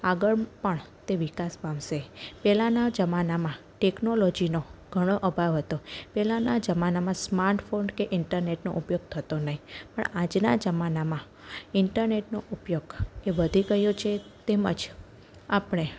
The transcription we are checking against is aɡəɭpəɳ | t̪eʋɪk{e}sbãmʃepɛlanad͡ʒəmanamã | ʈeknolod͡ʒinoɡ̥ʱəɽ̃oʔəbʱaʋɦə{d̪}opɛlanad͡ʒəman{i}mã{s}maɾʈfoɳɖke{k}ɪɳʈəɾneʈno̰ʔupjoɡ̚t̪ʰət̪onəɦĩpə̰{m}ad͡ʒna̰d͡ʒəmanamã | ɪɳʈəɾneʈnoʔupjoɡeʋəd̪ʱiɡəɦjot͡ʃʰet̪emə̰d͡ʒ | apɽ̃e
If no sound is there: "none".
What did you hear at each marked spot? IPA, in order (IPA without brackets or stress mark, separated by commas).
a, t̪, a, s, ʔ, ɳ